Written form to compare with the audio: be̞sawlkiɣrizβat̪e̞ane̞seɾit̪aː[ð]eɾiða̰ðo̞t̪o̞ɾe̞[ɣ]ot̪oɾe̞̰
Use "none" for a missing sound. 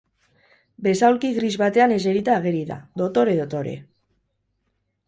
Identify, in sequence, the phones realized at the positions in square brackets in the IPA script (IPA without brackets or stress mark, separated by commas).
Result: ɣ, ð